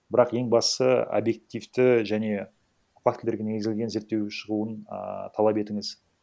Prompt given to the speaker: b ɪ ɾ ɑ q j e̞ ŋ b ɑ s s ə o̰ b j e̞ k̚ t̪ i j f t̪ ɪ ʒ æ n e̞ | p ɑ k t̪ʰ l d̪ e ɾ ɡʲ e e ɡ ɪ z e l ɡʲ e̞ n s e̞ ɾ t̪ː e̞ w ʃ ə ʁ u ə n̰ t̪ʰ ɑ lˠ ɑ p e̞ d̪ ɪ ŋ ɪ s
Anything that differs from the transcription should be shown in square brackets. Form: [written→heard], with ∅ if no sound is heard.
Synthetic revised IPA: b ɪ ɾ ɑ q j e̞ ŋ b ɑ s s ə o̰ b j e̞ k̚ t̪ i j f t̪ ɪ ʒ æ n e̞ | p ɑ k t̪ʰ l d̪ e ɾ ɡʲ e e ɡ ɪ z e l ɡʲ e̞ n [s→z] e̞ ɾ t̪ː e̞ w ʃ ə ʁ u ə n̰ t̪ʰ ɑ lˠ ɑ p e̞ [d̪→t̪] ɪ ŋ ɪ [s→z]